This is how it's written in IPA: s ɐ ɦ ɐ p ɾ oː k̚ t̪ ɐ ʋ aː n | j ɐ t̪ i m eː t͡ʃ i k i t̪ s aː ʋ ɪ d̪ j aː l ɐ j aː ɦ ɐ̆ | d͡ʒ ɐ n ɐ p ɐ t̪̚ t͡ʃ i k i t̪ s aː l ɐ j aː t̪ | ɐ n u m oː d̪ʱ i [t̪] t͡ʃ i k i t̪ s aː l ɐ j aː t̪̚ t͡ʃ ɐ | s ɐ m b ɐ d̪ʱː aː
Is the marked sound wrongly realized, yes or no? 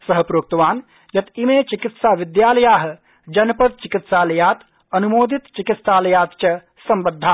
no